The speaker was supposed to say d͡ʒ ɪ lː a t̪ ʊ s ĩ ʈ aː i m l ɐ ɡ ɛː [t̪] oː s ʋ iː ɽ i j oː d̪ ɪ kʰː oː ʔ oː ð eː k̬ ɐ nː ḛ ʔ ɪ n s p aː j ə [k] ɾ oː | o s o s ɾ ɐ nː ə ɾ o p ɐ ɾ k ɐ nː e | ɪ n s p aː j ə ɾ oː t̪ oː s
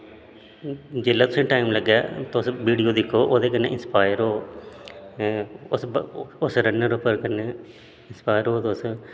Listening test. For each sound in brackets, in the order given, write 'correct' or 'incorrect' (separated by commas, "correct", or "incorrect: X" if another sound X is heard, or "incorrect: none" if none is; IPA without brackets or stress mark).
correct, incorrect: none